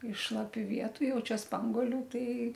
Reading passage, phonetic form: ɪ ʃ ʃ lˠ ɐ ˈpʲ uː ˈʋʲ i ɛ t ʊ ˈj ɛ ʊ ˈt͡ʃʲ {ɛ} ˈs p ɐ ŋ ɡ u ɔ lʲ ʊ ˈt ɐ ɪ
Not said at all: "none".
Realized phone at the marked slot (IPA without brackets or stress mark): ɛ